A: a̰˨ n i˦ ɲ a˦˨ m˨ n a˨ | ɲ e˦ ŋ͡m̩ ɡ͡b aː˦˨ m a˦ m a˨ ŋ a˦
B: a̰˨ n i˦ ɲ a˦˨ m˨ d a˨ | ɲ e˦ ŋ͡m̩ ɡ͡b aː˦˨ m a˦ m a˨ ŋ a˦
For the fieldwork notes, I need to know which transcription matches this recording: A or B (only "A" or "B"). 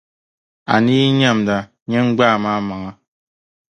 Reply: B